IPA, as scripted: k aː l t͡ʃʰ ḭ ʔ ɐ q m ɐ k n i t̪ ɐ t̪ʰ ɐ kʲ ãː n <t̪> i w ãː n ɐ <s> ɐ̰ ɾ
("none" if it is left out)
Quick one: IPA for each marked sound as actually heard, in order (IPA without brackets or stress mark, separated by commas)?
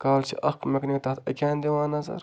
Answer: d̪, z